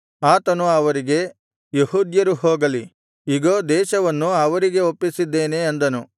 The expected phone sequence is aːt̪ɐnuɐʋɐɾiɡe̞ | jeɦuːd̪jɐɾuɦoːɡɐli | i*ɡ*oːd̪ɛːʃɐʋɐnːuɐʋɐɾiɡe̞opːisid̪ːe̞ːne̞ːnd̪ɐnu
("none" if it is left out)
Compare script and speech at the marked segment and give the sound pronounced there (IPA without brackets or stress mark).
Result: ɡ